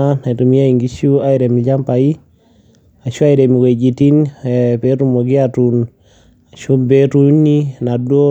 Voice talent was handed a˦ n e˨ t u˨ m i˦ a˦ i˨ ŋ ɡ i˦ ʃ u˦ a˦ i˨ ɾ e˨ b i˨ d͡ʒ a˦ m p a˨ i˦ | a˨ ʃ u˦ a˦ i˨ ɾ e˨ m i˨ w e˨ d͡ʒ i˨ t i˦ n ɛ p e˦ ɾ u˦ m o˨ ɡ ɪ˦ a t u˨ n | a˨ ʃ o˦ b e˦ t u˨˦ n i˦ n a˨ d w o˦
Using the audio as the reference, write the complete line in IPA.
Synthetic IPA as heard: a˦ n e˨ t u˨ m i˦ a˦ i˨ ŋ ɡ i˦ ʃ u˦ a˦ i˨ ɾ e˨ m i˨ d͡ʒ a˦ m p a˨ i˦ | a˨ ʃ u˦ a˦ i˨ ɾ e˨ m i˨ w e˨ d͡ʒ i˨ t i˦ n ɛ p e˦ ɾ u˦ m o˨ ɡ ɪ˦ a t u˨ n | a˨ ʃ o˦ b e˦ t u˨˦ n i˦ n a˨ d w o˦